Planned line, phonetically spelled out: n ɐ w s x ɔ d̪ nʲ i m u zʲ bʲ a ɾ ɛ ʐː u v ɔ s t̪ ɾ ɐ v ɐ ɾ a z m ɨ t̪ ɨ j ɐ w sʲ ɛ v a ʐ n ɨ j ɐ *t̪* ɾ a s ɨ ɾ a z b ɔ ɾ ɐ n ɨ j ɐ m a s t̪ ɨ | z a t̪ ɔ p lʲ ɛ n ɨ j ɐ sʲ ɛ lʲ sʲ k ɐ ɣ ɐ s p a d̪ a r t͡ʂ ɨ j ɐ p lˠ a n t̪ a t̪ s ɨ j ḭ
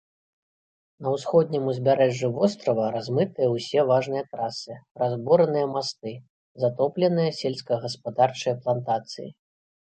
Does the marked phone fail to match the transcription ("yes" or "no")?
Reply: no